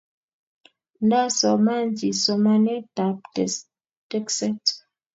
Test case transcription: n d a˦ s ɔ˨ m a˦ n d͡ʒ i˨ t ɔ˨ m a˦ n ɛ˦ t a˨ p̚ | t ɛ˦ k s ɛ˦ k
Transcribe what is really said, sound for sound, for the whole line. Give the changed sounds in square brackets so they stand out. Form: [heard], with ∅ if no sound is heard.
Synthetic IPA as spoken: n d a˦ s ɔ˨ m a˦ n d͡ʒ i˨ [s] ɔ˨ m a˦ n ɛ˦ t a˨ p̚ | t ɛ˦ k s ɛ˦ [t]